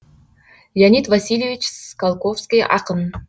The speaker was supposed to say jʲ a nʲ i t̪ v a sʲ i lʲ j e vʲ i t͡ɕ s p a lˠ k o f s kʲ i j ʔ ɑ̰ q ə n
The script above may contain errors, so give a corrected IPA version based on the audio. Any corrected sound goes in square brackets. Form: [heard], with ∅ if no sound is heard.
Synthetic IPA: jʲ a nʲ i t̪ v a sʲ i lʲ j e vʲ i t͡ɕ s [k] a lˠ k o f s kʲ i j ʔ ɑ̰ q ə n